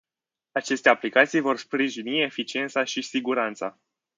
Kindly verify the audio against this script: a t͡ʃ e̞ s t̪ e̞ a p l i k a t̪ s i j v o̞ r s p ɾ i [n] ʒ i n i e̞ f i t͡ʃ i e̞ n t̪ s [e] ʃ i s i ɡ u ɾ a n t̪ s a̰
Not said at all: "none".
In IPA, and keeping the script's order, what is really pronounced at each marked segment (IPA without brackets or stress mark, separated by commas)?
none, a